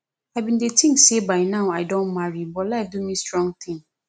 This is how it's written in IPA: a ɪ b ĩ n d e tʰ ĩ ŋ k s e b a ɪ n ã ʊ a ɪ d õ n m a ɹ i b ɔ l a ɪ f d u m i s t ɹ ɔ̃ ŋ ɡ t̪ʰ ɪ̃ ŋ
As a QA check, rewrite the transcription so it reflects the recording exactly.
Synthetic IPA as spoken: a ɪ b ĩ n d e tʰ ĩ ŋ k s e b a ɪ n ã ʊ a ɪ d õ n m a ɹ i b ɔ l a ɪ f d u m i s t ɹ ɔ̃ ŋ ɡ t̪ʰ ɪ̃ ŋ

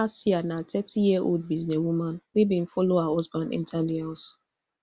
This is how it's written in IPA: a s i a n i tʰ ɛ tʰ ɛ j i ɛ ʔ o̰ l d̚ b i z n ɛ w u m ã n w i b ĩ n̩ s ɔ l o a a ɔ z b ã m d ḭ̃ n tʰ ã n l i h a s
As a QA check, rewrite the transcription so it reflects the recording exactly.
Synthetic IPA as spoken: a s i a n a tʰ ɛ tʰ i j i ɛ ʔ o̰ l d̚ b i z n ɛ w u m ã n w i b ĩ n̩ f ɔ l o a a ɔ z b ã n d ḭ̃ n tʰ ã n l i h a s

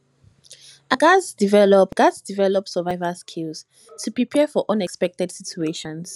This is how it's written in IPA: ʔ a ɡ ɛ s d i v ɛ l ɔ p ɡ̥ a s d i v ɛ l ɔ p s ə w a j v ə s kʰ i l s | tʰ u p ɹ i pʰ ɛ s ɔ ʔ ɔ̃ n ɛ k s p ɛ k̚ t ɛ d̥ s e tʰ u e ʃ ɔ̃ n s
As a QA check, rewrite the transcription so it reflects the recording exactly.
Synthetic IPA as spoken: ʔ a ɡ a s d i v ɛ l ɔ p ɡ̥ a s d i v ɛ l ɔ p s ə v a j v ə s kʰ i l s | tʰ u p ɹ i pʰ ɛ f ɔ ʔ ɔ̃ n ɛ k s p ɛ k̚ t ɛ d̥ s i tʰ u e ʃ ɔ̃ n s

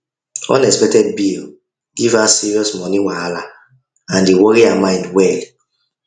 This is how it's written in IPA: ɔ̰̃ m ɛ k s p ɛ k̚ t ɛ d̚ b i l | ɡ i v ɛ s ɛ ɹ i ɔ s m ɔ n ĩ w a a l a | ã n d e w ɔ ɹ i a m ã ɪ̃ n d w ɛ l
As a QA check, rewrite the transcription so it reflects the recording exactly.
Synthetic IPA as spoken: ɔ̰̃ n ɛ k s p ɛ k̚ t ɛ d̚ b i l | ɡ i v a s i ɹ i ɔ s m ɔ n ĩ w a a l a | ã n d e w ɔ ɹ i a m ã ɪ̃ n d w ɛ l

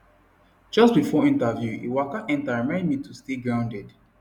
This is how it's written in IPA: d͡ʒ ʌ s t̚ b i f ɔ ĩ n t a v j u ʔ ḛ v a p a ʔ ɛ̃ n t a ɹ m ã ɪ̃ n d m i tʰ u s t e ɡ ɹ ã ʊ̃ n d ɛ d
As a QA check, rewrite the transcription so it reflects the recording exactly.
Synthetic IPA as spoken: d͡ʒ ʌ s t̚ b i f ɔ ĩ n t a v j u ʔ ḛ w a k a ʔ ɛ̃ n t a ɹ m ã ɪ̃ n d m i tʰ u s t e ɡ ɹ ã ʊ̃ n d ɛ d

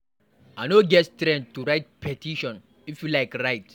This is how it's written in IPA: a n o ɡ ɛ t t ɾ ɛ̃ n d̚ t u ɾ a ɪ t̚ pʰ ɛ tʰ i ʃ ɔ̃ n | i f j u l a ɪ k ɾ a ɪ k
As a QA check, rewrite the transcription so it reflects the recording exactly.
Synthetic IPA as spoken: a n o ɡ ɛ t t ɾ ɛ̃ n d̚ t u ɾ a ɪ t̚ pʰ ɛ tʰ i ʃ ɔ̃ n | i f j u l a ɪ k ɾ a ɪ t

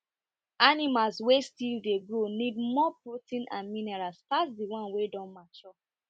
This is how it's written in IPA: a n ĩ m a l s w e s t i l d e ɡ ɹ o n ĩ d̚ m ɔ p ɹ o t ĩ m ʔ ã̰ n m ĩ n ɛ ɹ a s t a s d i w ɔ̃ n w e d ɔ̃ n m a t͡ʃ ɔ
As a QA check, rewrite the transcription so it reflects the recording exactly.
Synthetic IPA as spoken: a n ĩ m a l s w e s t i l d e ɡ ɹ o n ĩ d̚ m ɔ p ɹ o t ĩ n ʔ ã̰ n m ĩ n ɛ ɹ a s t a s d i w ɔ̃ n w e d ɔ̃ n m a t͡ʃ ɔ

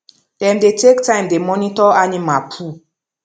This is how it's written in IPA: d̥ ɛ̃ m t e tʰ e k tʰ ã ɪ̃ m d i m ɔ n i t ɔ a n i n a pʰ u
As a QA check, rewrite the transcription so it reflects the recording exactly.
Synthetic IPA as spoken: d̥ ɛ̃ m d e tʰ e k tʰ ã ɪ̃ m d e m ɔ n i t ɔ a n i m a pʰ u

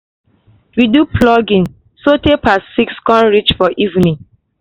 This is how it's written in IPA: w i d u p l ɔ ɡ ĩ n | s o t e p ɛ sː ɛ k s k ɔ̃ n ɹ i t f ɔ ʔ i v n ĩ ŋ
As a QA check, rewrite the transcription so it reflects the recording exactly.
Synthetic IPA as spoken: w i d u p l ɔ ɡ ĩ n | s o t e p a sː i k s k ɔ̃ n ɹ i t͡ʃ f ɔ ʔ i v n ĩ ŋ

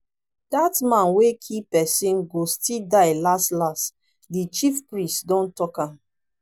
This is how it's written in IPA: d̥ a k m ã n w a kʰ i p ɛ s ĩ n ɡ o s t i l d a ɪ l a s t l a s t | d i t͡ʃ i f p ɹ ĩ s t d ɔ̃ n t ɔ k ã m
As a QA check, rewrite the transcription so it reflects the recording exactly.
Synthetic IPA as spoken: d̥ a t m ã n w e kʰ i p ɛ s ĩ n ɡ o s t i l d a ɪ l a s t l a s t | d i t͡ʃ i f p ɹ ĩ s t d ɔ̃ n t ɔ k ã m

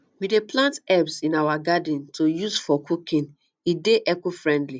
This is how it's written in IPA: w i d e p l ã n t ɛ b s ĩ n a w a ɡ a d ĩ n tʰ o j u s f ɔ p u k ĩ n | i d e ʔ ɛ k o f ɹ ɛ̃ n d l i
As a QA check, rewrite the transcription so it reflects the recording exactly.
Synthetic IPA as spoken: w i d e p l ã n t ɛ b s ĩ n a w a ɡ a d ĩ n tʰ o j u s f ɔ k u k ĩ n | i d e ʔ ɛ k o f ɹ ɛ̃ n d l i

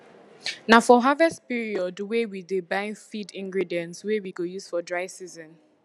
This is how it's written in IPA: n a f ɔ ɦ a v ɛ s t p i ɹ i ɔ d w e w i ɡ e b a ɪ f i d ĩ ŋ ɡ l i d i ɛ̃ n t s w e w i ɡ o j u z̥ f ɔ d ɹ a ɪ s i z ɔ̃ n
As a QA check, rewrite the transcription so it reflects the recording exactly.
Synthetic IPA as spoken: n a f ɔ ɦ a v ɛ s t p i ɹ i ɔ d w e w i d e b a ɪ f i d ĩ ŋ ɡ ɹ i d i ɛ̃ n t s w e w i ɡ o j u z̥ f ɔ d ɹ a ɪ s i z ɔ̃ n

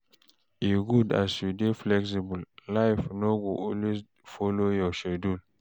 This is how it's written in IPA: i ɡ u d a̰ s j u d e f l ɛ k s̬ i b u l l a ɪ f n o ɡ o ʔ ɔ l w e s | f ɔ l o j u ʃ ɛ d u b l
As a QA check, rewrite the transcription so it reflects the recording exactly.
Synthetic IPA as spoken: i ɡ u d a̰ s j u d e f l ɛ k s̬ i b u l l a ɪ f n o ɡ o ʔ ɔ l w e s | f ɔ l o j ɔ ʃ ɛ d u l

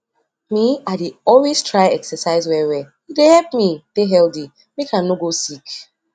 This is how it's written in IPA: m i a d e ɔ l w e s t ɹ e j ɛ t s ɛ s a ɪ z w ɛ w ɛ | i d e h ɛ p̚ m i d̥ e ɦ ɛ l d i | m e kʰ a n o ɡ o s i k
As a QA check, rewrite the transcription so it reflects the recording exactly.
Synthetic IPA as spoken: m i a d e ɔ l w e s t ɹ a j ɛ k s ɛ s a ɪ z w ɛ w ɛ | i d e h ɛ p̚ m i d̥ e ɦ ɛ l d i | m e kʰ a n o ɡ o s i k

